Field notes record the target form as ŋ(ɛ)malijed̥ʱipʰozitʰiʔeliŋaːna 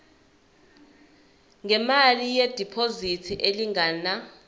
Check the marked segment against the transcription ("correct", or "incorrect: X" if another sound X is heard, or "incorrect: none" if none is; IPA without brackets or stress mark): correct